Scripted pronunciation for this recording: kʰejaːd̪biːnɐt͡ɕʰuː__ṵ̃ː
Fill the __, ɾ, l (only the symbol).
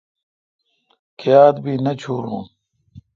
ɾ